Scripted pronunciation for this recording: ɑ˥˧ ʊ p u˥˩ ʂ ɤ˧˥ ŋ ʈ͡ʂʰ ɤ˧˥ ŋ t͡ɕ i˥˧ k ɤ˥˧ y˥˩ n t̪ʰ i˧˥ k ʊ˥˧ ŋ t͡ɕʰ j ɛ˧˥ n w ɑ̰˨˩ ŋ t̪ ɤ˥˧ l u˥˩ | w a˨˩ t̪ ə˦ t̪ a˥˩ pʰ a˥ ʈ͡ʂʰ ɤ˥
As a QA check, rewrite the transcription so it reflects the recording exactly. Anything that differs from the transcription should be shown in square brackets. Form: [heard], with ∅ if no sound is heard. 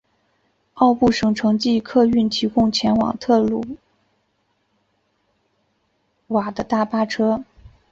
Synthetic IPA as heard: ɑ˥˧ ʊ p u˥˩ ʂ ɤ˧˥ ŋ ʈ͡ʂʰ ɤ˧˥ ŋ t͡ɕ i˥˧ [kʰ] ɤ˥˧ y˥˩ n t̪ʰ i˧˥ k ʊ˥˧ ŋ t͡ɕʰ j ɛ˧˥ n w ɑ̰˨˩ ŋ [t̪ʰ] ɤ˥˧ l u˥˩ | w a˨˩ [d̪] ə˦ t̪ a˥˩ [p] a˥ ʈ͡ʂʰ ɤ˥